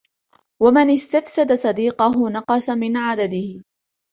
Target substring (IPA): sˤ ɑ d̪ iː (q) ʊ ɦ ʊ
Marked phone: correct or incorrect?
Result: correct